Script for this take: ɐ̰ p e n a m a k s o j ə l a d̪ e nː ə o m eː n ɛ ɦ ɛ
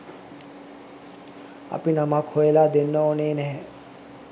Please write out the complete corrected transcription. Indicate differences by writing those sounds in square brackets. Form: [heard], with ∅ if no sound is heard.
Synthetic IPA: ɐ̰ p [i] n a m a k [h] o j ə l a d̪ e nː ə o [n] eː n ɛ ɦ ɛ